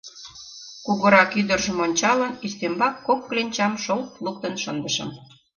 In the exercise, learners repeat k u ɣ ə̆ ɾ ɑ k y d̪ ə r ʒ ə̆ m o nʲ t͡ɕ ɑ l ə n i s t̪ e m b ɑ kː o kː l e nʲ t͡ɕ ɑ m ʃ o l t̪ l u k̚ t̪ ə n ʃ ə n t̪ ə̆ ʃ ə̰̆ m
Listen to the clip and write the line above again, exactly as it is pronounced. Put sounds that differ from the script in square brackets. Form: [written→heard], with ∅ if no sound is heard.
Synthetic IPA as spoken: k u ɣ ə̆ ɾ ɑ k y d̪ ə r ʒ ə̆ m o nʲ t͡ɕ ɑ l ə n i s t̪ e m b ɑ kː o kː l e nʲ t͡ɕ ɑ m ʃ o l t̪ l u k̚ t̪ ə n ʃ ə n [t̪→d̪] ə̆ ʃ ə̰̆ m